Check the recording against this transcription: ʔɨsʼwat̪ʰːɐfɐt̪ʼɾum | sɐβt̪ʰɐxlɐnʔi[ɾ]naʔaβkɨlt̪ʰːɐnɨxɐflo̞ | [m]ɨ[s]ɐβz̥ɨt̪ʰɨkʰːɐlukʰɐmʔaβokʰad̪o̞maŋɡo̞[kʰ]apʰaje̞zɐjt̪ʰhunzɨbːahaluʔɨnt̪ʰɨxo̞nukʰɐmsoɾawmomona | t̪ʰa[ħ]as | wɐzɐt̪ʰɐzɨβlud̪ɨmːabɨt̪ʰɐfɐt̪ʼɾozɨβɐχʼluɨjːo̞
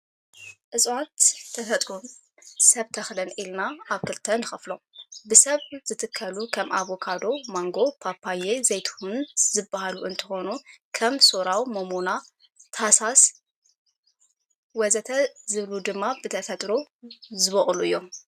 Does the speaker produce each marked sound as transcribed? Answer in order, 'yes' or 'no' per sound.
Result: no, no, yes, no, no

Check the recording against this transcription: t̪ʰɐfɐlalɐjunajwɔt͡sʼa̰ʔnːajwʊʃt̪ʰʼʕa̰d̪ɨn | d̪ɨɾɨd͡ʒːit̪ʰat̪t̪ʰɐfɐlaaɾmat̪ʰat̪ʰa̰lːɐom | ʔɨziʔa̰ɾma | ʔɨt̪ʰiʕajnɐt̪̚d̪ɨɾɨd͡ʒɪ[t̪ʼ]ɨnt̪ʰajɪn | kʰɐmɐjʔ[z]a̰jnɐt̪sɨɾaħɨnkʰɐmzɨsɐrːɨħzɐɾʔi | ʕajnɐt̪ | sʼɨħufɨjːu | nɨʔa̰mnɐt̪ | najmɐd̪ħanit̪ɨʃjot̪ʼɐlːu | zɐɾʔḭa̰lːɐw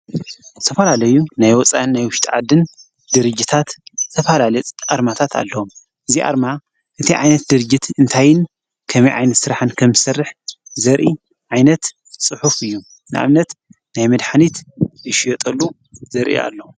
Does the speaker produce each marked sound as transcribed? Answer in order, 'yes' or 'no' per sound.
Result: no, no

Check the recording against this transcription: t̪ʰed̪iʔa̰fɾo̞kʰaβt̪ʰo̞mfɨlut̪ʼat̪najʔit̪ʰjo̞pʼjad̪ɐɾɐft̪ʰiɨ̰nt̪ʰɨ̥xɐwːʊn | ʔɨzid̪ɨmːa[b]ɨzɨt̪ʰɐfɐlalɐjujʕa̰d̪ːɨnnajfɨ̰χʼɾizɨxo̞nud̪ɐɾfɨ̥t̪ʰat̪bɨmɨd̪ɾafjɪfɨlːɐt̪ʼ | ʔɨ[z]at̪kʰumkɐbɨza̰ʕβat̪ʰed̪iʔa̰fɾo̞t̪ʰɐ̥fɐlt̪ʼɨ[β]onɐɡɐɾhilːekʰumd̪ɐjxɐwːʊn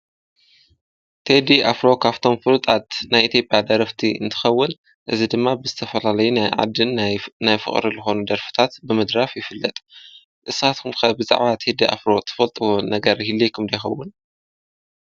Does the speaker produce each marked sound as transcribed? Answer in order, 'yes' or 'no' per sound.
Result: yes, no, no

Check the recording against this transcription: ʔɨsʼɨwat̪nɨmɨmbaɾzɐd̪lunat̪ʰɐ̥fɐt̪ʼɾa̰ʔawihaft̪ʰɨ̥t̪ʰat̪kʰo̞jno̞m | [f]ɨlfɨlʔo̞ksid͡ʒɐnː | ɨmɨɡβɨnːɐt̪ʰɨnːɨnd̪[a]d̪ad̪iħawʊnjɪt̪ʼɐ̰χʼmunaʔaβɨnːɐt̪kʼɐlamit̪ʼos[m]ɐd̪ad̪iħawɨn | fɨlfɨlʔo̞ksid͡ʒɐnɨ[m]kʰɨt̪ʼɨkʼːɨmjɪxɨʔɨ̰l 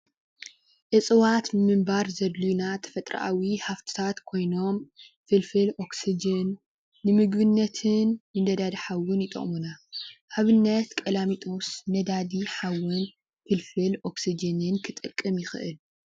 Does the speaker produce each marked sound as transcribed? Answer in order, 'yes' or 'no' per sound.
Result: yes, no, no, no

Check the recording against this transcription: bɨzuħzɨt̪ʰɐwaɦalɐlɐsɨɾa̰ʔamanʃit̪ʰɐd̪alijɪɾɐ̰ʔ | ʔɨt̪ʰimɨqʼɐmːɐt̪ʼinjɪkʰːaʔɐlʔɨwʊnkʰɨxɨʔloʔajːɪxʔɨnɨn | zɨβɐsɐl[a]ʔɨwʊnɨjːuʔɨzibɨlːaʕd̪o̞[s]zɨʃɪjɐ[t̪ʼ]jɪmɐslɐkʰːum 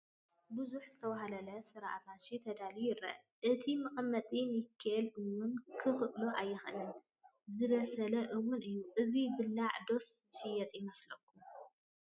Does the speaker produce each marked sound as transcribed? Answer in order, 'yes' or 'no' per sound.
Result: no, yes, yes

